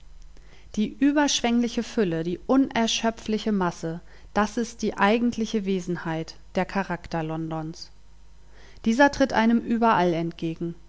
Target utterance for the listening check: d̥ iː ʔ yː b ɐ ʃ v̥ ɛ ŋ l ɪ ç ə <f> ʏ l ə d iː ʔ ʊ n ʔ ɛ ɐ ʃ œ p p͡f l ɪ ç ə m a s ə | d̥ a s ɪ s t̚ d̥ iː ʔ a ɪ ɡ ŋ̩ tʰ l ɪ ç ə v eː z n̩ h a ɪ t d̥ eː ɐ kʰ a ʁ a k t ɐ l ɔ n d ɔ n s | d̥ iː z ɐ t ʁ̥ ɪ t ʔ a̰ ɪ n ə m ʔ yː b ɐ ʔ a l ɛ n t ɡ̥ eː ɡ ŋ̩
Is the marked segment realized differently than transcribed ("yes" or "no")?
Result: no